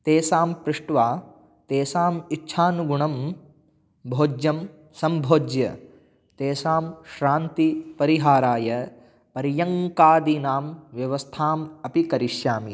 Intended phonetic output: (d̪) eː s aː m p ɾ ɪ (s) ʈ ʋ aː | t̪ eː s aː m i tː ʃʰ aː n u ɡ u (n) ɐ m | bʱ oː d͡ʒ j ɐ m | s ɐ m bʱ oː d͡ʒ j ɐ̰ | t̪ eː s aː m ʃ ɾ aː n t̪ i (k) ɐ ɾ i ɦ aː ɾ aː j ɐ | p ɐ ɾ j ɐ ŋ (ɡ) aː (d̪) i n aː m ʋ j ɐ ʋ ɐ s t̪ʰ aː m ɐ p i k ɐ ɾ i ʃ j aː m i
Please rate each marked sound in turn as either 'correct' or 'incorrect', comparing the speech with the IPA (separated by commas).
incorrect, incorrect, incorrect, incorrect, incorrect, correct